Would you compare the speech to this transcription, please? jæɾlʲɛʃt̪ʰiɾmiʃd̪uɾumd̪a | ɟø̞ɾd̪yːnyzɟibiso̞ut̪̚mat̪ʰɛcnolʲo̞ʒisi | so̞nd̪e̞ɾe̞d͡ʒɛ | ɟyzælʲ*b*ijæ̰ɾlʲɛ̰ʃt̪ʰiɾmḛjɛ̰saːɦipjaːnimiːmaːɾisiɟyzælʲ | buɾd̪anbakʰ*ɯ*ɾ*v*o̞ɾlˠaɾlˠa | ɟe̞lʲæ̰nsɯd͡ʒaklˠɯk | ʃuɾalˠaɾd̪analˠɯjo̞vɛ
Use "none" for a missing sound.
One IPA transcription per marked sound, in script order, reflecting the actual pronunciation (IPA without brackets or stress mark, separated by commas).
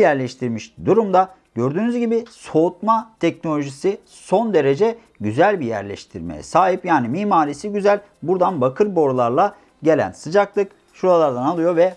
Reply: b, ɯ, b